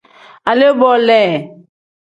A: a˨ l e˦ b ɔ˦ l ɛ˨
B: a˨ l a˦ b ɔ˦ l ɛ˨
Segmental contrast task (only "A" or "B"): A